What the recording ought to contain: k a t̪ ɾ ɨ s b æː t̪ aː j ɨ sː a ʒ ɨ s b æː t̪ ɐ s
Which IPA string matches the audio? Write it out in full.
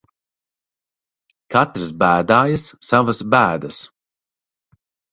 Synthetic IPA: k a t̪ ɾ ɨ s b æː d̪ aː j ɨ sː a v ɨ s b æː d̪ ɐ s